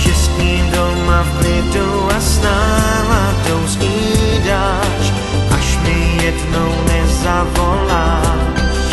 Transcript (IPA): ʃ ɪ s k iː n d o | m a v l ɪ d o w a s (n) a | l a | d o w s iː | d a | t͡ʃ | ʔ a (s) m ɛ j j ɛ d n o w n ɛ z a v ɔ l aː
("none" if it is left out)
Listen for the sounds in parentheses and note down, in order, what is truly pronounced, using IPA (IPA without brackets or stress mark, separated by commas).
n, ʃ